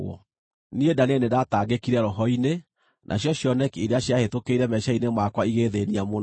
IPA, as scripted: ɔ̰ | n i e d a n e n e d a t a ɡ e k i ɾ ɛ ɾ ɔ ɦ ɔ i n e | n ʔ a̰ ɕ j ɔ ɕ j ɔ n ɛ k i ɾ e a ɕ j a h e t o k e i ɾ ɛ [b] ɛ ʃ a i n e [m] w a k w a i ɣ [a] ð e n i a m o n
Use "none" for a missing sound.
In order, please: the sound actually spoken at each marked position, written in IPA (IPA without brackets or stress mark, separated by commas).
m, m, e